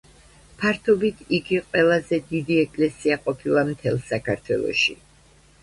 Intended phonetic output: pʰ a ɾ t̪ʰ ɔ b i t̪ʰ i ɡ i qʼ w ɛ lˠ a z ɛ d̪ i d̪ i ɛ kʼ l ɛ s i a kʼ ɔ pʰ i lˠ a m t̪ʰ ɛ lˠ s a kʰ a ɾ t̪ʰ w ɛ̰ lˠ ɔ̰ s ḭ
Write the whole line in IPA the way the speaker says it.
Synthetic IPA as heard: pʰ a ɾ t̪ʰ ɔ b i t̪ʰ i ɡ i qʼ w ɛ lˠ a z ɛ d̪ i d̪ i ɛ kʼ l ɛ s i a qʼ ɔ pʰ i lˠ a m t̪ʰ ɛ lˠ s a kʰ a ɾ t̪ʰ w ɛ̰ lˠ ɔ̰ ʃ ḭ